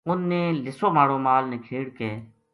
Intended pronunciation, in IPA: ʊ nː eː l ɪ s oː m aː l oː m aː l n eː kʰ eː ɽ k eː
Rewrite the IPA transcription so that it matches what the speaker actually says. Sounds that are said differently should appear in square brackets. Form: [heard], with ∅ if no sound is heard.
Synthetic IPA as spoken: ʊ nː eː l ɪ s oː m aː [ɽ] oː m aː l n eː kʰ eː ɽ k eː